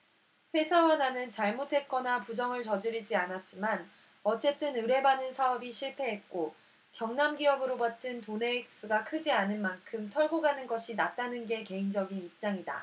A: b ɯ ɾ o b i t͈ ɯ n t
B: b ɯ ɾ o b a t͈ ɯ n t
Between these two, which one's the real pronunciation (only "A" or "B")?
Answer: B